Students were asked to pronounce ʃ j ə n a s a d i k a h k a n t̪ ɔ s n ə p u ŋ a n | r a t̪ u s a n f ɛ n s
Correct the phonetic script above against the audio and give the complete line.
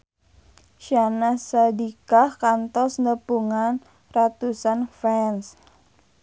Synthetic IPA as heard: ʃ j a n a s a d i k a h k a n t̪ ɔ s n ə p u ŋ a n | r a t̪ u s a n f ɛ n s